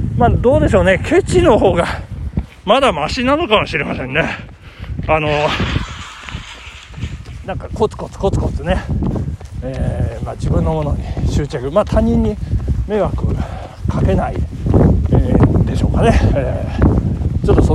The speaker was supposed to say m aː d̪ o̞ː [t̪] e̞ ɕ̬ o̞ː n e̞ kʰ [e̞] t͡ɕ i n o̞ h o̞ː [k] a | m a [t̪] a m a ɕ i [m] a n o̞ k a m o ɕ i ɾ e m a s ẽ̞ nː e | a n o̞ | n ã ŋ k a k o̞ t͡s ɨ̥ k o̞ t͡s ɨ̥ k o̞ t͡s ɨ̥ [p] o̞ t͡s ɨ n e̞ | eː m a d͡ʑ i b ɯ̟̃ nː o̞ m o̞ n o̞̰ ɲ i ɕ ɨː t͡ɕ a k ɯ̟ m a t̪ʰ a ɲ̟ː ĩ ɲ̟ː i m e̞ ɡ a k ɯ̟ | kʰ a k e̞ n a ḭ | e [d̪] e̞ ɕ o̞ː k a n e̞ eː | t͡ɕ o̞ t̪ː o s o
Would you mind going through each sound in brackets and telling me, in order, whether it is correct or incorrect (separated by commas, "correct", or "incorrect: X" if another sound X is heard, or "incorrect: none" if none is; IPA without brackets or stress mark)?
incorrect: d̪, correct, incorrect: ɡ, incorrect: d̪, incorrect: n, incorrect: k, correct